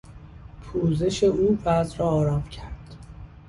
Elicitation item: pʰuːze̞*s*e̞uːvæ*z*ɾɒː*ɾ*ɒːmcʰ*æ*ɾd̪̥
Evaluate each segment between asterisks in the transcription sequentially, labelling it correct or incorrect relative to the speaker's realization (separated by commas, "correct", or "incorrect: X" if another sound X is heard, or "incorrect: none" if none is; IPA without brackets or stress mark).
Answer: incorrect: ʃ, correct, correct, correct